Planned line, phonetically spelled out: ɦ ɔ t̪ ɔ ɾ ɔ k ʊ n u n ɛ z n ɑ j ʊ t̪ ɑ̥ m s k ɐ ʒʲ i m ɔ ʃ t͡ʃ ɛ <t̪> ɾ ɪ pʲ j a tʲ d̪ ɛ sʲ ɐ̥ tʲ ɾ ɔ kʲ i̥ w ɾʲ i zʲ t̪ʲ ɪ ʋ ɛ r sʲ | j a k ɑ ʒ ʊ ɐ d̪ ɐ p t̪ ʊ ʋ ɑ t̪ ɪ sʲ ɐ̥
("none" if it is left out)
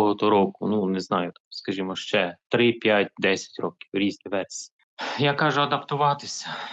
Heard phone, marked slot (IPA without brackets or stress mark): t̪